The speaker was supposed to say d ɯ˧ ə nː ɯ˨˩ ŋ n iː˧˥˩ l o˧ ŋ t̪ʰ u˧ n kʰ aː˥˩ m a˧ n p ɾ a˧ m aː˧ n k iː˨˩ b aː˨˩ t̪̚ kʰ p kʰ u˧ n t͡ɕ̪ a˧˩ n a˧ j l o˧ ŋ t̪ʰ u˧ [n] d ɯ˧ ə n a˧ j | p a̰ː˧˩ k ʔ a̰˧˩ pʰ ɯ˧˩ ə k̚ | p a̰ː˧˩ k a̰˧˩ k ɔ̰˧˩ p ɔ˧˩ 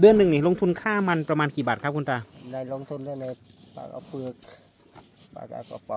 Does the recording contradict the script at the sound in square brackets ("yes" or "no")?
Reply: no